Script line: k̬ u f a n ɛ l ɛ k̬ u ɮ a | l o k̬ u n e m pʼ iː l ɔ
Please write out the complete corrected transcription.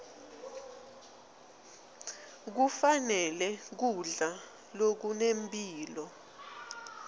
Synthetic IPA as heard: k̬ u f a n ɛ l ɛ k̬ u ɮ a | l o k̬ u n e m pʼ iː l ɔ